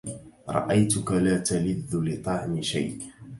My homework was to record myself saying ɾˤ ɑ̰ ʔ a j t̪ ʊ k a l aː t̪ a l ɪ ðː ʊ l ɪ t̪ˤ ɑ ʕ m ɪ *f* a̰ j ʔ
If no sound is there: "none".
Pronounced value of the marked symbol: ʃ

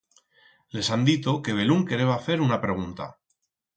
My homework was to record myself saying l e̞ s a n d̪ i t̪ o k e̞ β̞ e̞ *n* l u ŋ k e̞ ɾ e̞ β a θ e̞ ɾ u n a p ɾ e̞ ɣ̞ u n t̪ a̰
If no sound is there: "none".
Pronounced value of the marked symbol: none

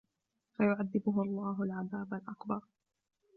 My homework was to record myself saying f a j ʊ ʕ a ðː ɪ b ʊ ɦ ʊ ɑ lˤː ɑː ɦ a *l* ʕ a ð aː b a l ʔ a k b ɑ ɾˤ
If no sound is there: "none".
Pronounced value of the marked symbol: l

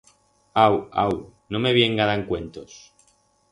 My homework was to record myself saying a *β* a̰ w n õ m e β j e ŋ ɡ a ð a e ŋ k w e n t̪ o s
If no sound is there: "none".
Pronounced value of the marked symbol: w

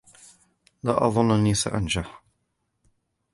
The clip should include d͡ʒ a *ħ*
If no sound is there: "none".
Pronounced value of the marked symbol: ħ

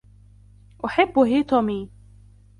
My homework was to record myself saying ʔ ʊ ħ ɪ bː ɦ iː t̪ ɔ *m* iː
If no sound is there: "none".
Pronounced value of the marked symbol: m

